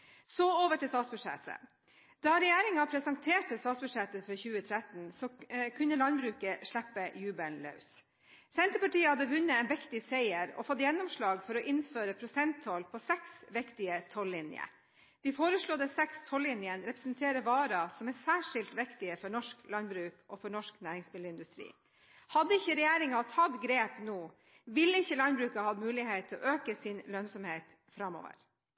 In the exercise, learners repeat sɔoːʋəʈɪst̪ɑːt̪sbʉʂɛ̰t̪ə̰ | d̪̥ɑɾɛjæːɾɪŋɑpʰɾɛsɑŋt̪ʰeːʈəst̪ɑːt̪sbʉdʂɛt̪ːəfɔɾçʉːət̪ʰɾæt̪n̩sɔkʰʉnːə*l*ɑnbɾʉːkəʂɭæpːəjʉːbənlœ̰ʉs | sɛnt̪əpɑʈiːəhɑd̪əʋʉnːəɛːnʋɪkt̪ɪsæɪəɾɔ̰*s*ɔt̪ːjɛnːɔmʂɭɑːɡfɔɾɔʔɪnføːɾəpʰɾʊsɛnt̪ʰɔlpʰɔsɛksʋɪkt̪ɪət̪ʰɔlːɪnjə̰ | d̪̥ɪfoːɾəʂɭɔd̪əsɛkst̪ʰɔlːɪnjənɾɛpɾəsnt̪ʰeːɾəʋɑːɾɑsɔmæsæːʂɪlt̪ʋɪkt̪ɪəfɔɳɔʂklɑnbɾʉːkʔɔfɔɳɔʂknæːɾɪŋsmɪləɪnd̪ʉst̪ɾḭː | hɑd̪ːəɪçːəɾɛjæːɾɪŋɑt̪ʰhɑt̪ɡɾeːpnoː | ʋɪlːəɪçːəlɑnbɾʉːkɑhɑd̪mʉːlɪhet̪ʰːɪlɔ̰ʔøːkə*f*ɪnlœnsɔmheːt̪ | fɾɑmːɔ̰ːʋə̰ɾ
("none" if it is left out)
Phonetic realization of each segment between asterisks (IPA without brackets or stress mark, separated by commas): l, f, s